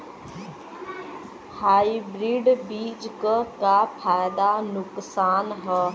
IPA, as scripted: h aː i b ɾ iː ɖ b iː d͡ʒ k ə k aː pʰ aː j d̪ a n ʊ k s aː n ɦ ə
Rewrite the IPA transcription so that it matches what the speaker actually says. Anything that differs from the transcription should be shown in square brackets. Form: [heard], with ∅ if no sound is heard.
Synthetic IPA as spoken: h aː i b ɾ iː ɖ b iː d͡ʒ k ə k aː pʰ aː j d̪ a n ʊ k s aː n ɦ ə